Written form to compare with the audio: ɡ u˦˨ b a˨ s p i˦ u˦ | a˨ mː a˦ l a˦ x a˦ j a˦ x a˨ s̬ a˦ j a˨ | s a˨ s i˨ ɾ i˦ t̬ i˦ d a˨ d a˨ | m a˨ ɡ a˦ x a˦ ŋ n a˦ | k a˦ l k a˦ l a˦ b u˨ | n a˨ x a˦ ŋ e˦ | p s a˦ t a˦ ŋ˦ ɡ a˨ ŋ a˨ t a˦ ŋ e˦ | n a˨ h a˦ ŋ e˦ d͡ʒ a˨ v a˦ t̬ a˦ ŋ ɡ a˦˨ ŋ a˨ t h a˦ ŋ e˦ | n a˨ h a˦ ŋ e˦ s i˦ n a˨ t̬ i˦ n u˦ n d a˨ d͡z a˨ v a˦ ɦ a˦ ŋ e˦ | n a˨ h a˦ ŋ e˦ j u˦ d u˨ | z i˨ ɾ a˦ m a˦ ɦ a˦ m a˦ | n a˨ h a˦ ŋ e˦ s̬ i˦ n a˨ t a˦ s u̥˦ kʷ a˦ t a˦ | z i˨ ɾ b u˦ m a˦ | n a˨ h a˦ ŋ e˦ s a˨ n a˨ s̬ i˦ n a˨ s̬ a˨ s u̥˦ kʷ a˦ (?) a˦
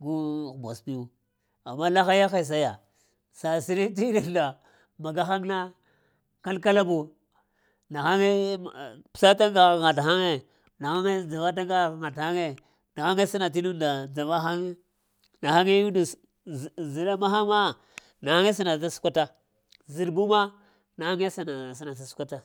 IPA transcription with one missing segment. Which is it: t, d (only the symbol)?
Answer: t